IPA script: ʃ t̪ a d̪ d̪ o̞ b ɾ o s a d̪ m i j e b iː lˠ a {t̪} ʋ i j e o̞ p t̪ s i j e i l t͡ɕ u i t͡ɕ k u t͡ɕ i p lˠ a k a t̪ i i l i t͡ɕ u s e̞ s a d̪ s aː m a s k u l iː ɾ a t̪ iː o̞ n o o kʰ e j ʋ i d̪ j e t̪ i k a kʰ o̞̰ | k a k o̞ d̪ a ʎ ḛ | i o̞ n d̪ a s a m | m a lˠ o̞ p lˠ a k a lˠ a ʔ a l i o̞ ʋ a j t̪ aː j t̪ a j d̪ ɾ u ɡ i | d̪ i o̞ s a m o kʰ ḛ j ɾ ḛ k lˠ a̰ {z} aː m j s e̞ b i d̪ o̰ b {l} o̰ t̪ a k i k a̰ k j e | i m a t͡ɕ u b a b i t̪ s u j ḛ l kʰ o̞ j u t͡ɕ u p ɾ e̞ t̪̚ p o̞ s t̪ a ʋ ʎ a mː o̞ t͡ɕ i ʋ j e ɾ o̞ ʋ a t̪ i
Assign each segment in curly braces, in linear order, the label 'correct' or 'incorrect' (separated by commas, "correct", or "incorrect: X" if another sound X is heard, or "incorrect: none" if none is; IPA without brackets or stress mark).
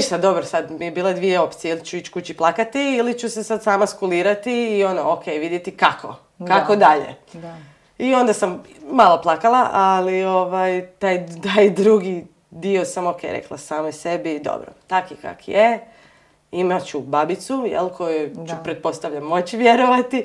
incorrect: d̪, incorrect: s, incorrect: ɾ